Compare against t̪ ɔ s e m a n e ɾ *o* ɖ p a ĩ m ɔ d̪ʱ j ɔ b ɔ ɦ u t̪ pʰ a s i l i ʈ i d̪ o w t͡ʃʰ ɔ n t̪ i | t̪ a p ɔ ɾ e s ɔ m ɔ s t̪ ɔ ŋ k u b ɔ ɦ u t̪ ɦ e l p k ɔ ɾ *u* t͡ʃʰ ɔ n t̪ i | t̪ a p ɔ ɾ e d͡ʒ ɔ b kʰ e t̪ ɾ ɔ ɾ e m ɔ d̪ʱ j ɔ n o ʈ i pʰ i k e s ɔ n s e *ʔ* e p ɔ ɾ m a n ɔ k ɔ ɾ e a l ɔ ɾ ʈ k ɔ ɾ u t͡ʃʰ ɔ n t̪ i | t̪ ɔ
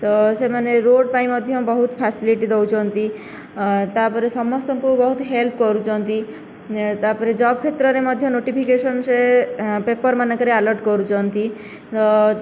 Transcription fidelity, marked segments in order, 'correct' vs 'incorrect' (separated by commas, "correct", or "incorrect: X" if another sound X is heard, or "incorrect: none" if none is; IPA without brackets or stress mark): correct, correct, incorrect: p